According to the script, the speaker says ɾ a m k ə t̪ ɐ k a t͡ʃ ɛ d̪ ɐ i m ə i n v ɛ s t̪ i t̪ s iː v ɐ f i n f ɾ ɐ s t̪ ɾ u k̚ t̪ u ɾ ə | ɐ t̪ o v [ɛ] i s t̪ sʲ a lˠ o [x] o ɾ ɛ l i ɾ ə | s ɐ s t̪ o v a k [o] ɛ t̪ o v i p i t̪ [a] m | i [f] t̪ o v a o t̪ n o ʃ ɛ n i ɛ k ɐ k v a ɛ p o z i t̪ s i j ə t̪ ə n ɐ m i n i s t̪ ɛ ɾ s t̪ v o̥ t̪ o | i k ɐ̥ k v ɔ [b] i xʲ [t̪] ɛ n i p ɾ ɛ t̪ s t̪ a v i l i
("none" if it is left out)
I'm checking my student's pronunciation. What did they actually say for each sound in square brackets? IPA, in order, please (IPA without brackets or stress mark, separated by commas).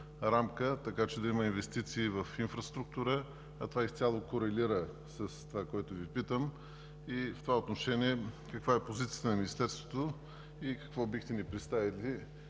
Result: a, k, ɔ, ə, f, b, t̪